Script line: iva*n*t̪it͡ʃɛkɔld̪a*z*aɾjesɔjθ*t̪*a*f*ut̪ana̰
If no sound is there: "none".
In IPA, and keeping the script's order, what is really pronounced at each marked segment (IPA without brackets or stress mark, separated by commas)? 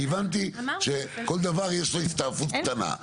n, v, t̪, f